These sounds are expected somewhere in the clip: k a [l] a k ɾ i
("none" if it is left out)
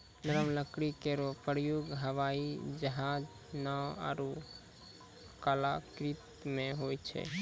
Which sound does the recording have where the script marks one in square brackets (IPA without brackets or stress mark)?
l